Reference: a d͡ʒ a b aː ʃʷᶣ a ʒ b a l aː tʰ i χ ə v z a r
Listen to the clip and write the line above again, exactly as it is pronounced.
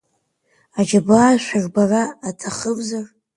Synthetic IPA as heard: a d͡ʒ a b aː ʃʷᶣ a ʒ b a r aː tʰ a χ ə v z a r